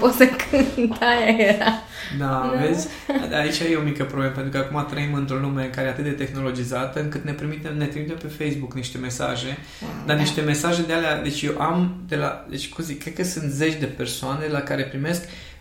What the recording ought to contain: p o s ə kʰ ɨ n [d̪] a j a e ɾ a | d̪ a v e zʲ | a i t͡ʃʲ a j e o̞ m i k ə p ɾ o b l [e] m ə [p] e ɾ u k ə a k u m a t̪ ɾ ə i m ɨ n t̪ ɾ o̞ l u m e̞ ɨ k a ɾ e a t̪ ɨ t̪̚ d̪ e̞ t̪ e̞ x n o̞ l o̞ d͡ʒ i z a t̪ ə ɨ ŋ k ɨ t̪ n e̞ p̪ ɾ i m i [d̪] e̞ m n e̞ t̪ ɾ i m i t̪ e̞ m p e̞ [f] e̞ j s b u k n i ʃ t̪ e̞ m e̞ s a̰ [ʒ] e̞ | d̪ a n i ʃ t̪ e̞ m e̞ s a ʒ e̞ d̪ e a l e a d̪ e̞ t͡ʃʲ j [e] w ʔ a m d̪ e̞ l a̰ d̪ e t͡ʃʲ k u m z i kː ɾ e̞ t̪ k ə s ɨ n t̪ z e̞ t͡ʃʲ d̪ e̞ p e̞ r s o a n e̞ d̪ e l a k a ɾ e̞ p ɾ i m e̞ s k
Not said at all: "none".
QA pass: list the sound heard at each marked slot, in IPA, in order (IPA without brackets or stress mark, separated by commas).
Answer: t̪, e, p, t̪, f, ʒ, e